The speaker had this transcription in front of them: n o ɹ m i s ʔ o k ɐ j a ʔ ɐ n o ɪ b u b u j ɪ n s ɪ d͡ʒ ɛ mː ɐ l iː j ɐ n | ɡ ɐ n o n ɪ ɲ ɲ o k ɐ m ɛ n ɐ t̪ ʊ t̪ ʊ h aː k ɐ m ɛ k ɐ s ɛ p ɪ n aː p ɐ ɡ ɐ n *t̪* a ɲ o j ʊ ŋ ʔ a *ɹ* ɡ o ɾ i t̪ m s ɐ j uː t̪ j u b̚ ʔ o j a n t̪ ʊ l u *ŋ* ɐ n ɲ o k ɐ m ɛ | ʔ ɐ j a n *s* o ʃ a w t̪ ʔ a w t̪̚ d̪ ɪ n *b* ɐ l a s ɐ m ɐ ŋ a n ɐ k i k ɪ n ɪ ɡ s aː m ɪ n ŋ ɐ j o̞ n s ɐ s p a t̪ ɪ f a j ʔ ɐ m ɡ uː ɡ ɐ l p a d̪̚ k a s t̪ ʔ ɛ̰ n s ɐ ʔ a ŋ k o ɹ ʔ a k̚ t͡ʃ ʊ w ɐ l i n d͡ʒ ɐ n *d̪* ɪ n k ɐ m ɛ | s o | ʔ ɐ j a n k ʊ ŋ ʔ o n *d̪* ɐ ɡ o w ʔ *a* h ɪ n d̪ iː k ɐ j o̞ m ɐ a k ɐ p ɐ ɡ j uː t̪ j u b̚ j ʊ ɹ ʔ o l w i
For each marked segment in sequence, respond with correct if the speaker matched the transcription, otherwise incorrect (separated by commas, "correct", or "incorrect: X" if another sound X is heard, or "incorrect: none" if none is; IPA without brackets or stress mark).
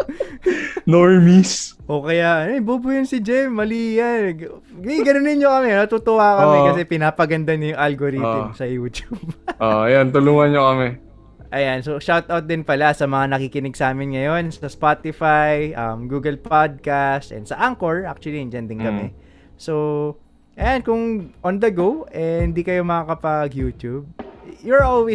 incorrect: d̪, incorrect: l, correct, correct, incorrect: p, correct, correct, incorrect: ɛ